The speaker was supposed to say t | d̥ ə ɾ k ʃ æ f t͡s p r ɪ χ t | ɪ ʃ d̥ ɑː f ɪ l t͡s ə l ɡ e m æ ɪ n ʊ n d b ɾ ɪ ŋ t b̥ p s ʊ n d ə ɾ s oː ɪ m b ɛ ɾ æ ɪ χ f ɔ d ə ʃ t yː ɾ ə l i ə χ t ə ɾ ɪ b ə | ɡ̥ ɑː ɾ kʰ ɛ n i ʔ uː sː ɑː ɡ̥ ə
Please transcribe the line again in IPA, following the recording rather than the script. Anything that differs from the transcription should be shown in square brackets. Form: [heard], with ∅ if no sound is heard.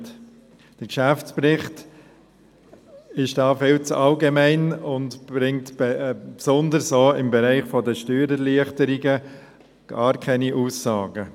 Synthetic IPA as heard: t | d̥ ə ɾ k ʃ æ f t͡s p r ɪ χ t | ɪ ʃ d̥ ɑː f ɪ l t͡s [ɑ] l ɡ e m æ ɪ n ʊ n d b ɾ ɪ ŋ t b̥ p s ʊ n d ə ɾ s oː ɪ m b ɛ ɾ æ ɪ χ f ɔ d ə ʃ t yː ɾ ə l i ə χ t ə ɾ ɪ [ɡ] ə | ɡ̥ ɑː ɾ kʰ ɛ n i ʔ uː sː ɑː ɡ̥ ə